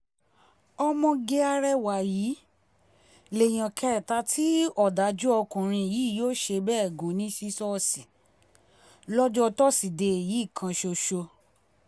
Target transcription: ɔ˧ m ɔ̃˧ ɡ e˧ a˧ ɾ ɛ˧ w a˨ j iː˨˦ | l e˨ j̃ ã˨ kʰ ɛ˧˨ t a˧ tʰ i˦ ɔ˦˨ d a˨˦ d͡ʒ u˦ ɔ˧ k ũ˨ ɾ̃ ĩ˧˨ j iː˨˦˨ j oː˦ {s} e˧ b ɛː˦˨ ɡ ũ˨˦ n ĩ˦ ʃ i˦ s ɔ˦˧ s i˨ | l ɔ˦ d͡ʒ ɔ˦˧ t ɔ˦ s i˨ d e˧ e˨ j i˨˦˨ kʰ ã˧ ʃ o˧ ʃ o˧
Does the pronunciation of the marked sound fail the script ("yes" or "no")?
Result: yes